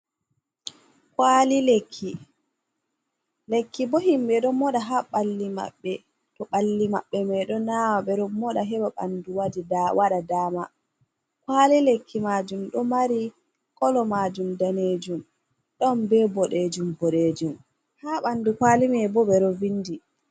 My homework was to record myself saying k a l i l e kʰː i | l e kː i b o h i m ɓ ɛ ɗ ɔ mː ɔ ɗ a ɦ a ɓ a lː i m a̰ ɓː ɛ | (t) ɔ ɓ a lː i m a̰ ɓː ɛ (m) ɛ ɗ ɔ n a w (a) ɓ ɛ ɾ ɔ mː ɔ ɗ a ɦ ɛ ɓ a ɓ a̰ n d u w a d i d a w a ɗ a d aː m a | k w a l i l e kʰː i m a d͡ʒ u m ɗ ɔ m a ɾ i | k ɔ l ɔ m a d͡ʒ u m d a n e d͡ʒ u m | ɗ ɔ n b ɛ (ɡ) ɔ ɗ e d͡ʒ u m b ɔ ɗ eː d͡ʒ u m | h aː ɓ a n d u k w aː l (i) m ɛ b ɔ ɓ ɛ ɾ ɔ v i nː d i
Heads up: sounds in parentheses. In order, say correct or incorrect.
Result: correct, correct, correct, incorrect: b, correct

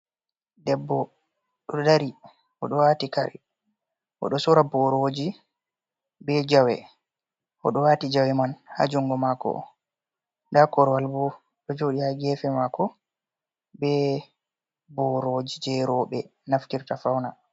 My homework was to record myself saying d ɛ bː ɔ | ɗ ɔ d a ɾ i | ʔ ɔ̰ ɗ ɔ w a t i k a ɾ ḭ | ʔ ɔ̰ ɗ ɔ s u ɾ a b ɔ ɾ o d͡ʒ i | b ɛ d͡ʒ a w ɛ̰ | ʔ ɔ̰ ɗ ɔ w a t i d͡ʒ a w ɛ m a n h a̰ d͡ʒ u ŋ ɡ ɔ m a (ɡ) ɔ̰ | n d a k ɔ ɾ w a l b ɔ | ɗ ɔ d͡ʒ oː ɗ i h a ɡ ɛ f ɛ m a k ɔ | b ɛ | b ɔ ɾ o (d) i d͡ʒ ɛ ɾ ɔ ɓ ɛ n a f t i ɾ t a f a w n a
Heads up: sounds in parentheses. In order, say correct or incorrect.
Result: incorrect: k, incorrect: d͡ʒ

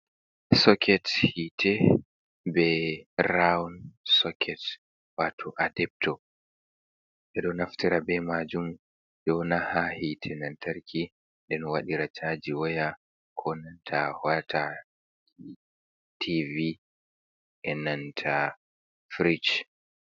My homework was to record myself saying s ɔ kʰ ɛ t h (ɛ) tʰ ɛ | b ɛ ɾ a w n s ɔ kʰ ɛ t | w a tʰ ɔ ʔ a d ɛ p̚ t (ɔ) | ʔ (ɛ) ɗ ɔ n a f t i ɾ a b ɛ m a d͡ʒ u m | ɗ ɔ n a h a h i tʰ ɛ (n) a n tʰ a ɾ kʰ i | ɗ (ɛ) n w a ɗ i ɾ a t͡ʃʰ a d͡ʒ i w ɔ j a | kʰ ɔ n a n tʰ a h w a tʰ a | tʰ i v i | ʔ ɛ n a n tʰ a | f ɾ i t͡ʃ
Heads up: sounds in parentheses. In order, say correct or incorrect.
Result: incorrect: i, correct, correct, correct, correct

